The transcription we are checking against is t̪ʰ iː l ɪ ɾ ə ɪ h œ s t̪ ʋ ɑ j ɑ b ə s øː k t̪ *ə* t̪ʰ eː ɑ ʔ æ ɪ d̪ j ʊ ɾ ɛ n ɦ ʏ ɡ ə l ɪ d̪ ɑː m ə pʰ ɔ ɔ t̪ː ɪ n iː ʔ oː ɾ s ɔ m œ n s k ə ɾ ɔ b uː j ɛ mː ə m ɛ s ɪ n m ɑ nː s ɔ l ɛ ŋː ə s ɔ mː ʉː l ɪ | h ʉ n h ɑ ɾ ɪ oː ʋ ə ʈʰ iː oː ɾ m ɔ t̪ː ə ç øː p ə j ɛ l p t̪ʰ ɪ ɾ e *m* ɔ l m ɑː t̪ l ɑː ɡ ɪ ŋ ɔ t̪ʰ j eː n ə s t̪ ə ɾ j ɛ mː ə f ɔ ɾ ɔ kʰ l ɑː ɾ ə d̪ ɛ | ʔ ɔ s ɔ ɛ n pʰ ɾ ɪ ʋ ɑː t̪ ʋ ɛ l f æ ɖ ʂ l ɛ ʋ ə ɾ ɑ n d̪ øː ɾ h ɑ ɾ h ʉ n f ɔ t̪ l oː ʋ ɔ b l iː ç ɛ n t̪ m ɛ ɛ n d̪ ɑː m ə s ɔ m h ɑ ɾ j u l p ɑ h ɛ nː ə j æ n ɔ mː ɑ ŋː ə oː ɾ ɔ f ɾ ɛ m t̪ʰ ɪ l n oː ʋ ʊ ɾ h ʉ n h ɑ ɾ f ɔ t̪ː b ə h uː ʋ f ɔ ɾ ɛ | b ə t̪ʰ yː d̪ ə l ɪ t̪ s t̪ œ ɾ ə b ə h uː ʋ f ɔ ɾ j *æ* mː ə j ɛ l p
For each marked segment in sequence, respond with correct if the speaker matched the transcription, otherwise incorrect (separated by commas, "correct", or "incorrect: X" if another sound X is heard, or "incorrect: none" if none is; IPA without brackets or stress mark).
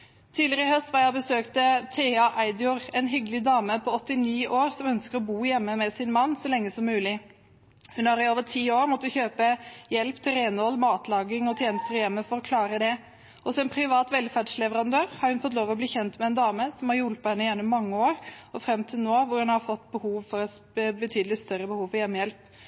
correct, incorrect: n, incorrect: ɛ